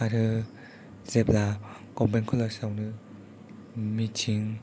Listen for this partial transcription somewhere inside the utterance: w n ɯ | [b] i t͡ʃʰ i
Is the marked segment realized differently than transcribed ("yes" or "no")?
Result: yes